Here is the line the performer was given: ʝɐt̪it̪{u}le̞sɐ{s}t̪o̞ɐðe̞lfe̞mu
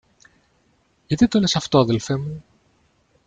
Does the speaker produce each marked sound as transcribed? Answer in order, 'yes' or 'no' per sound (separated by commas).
no, no